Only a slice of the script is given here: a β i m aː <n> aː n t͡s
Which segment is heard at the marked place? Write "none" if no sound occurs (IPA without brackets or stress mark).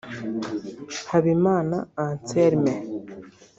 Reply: n